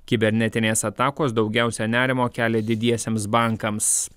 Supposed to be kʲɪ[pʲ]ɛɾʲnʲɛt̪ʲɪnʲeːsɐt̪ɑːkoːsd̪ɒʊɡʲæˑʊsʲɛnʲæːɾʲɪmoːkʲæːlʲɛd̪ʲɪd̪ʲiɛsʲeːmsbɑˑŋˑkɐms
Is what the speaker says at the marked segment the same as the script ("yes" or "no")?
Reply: no